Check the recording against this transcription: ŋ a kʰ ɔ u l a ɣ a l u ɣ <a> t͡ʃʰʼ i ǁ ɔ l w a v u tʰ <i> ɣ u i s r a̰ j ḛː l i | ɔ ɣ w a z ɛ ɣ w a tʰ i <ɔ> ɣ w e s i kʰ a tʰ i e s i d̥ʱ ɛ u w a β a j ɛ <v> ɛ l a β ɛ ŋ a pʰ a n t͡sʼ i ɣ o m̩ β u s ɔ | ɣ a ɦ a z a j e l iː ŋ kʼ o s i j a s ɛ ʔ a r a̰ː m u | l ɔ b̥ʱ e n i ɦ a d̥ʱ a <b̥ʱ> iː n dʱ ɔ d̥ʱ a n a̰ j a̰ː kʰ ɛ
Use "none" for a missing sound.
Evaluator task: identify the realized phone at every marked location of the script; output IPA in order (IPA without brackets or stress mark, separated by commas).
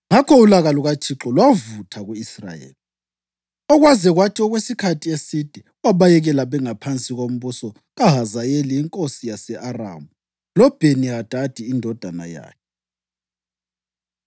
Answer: a, a, ɔ, ɣ, d̥ʱ